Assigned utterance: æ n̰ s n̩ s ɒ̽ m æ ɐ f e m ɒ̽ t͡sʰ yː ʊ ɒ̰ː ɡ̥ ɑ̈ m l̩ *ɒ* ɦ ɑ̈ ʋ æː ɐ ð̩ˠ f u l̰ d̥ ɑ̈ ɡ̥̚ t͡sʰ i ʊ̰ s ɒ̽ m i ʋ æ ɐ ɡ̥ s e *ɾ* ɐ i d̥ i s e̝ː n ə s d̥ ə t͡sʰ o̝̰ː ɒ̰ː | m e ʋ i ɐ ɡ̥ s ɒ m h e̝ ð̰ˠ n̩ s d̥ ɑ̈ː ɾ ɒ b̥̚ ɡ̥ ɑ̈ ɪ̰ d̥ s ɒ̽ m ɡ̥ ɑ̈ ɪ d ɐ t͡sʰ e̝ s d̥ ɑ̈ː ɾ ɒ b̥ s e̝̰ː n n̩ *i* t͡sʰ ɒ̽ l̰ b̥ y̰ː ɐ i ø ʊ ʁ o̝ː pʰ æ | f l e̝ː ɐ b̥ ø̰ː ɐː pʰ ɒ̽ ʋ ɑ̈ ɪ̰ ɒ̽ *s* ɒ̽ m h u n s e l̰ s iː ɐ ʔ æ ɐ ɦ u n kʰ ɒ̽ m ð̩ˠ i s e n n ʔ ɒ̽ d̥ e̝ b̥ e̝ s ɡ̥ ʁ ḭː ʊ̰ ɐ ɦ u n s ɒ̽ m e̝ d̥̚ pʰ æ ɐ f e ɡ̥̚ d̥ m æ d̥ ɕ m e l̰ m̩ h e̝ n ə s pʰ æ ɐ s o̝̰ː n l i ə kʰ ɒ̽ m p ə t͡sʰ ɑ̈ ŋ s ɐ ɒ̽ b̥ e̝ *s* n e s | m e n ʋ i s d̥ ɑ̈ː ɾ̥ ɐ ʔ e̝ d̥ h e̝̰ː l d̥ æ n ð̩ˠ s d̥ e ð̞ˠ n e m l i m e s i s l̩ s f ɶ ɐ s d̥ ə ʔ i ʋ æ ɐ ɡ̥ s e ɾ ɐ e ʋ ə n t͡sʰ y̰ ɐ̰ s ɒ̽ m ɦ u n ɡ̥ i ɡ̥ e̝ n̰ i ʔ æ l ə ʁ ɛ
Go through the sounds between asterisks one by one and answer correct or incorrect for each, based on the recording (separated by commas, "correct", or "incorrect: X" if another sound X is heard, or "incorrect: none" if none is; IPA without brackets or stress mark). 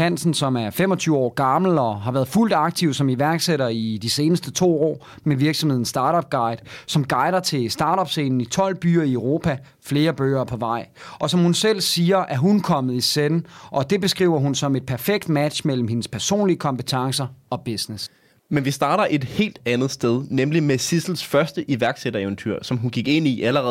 correct, correct, correct, correct, correct